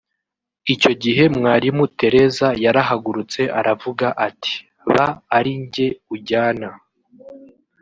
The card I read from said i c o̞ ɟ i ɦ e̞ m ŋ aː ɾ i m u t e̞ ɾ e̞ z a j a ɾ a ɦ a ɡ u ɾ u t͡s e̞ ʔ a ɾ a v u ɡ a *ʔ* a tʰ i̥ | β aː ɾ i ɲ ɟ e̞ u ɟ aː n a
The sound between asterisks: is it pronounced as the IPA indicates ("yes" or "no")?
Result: yes